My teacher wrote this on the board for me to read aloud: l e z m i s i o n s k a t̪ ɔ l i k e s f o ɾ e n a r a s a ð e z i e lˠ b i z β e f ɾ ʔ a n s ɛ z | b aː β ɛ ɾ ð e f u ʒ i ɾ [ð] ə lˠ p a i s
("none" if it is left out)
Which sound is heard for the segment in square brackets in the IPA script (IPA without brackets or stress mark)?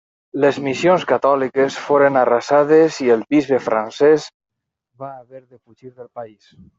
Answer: ð